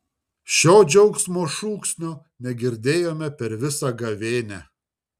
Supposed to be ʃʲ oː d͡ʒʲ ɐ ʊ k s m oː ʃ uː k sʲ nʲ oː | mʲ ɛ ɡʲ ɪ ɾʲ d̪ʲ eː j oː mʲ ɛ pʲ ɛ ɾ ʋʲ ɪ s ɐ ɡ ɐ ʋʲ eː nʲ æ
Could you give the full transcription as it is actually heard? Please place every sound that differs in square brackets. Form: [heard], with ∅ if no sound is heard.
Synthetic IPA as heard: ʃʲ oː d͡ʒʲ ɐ ʊ k s m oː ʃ uː k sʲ nʲ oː | [nʲ] ɛ ɡʲ ɪ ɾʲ d̪ʲ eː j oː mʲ ɛ pʲ ɛ ɾ ʋʲ ɪ s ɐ ɡ ɐ ʋʲ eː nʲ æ